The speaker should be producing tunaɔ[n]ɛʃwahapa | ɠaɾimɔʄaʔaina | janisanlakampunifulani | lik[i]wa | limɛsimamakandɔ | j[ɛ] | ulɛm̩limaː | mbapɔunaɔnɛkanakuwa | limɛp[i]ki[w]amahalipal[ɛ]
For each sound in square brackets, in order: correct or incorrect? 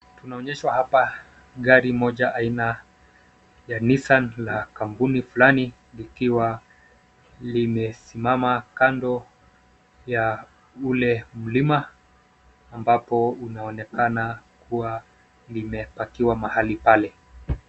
incorrect, correct, incorrect, incorrect, correct, correct

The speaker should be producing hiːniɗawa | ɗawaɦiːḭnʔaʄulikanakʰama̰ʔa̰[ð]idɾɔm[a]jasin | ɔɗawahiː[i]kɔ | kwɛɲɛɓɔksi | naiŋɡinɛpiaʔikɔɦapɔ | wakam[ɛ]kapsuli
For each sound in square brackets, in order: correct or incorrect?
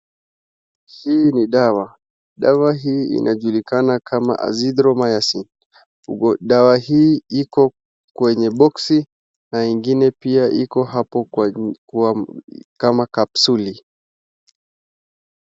incorrect, correct, correct, incorrect

